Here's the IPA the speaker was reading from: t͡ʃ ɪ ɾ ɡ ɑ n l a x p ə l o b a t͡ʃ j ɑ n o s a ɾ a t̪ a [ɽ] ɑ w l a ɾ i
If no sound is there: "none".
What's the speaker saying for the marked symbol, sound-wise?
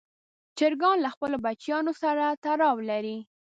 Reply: ɾ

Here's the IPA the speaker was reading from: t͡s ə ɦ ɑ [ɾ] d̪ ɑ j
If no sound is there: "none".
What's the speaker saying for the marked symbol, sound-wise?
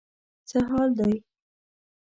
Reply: l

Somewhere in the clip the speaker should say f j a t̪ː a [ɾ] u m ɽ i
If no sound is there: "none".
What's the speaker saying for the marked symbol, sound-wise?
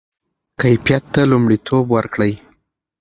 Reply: l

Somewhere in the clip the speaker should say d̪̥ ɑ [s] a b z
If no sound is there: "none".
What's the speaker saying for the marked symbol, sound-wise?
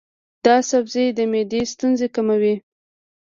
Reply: s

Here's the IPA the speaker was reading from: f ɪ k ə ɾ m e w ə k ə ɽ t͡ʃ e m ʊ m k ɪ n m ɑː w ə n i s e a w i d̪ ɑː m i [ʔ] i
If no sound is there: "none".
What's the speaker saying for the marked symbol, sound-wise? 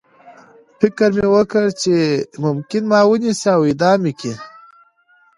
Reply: k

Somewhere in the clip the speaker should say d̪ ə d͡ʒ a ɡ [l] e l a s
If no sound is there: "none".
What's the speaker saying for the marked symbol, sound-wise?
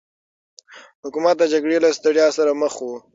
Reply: ɽ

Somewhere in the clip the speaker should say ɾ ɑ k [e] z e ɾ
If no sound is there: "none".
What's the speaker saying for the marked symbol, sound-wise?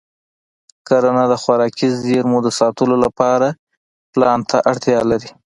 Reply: i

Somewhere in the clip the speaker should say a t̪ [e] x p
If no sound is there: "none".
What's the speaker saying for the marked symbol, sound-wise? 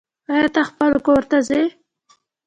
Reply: a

